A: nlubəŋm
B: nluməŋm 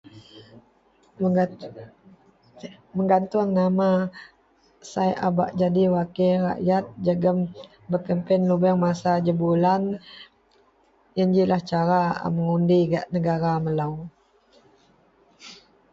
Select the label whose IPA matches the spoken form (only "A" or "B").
A